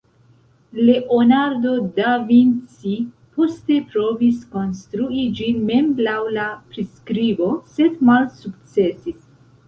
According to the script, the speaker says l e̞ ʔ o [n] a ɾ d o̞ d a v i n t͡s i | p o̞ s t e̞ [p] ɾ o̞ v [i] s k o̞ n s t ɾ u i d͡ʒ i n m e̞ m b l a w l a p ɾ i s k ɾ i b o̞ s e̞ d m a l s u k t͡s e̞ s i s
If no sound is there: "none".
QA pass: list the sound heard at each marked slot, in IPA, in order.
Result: n, p, i

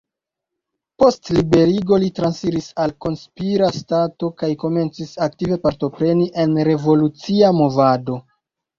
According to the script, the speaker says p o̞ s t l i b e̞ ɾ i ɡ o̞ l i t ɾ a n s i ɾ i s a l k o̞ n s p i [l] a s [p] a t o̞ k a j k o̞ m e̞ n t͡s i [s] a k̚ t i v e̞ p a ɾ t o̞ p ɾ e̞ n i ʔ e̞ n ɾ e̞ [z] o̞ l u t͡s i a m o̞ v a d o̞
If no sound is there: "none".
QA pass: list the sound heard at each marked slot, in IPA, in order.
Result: ɾ, t, s, v

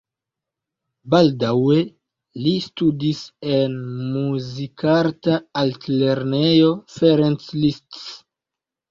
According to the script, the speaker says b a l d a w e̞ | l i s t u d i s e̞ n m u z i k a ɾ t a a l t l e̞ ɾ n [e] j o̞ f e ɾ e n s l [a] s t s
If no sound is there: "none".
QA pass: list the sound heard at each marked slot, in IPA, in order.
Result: e, i

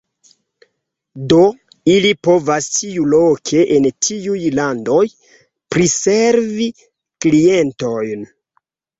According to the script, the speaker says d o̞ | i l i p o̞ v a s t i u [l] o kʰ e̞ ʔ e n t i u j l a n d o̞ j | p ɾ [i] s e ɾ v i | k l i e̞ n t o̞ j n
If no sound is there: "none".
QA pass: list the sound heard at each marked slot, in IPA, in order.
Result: l, i

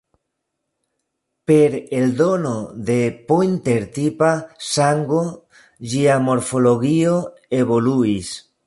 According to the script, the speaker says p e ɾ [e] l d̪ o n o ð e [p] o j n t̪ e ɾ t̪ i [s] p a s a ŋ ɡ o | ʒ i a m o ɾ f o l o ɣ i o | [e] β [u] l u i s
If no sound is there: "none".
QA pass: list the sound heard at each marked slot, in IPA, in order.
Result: e, p, none, e, o

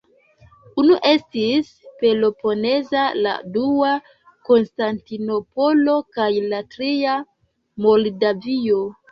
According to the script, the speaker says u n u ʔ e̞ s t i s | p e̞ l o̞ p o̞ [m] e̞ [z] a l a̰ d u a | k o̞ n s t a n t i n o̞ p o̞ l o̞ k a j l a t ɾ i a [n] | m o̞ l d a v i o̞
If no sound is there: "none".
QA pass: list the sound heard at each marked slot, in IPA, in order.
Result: n, z, none

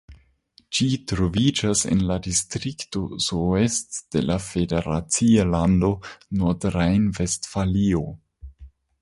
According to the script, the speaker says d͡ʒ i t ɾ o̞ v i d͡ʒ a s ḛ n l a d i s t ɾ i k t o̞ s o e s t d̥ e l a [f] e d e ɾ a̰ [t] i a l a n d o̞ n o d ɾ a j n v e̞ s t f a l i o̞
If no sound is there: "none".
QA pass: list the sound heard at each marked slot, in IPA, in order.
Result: f, t͡s

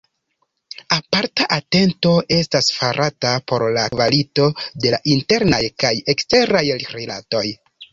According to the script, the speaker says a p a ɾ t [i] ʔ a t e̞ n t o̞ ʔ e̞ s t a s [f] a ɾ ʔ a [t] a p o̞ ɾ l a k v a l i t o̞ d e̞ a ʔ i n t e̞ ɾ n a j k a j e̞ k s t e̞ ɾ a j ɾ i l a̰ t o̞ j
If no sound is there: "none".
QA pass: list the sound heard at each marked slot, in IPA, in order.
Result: a, f, t

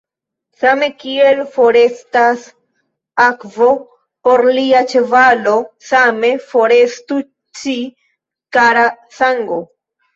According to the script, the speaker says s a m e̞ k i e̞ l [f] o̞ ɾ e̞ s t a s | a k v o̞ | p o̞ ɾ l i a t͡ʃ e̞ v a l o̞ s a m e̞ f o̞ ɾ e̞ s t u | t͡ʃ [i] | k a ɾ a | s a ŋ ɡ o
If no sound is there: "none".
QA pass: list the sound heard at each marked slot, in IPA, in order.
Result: f, i

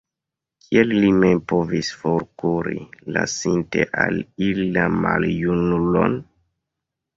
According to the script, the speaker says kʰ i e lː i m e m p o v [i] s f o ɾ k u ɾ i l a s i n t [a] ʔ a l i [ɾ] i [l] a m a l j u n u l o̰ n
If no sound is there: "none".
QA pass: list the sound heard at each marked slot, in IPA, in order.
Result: i, e, l, l

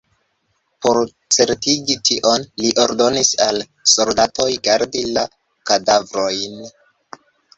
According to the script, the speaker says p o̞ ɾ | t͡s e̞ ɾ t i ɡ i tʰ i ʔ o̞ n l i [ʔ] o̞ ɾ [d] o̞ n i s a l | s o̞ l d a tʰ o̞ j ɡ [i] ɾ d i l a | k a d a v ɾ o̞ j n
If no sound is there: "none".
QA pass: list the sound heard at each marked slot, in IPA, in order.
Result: ʔ, d, a

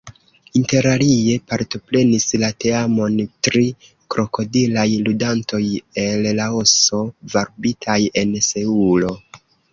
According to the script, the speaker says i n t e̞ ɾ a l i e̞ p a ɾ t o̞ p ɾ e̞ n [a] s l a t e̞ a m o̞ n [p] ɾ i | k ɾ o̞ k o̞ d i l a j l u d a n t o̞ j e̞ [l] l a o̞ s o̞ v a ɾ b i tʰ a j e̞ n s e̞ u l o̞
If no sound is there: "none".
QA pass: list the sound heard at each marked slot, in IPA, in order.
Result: i, t, l

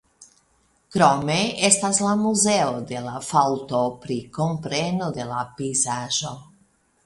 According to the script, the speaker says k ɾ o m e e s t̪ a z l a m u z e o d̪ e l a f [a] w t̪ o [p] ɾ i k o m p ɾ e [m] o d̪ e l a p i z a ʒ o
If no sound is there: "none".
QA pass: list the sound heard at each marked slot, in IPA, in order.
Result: a, p, n

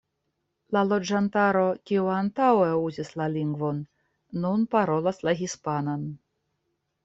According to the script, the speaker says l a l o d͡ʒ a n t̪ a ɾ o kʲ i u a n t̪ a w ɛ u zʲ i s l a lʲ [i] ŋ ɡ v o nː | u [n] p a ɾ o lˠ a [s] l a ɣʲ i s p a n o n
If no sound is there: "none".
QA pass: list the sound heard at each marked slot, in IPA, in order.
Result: i, n, s

